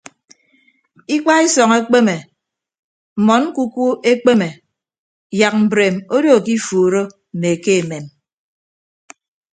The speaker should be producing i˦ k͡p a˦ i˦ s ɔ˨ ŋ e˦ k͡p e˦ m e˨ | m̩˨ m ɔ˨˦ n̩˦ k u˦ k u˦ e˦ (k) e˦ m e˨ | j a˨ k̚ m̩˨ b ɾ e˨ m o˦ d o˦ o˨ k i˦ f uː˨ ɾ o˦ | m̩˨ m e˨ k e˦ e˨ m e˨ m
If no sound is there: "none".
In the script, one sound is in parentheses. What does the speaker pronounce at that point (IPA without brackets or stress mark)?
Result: k͡p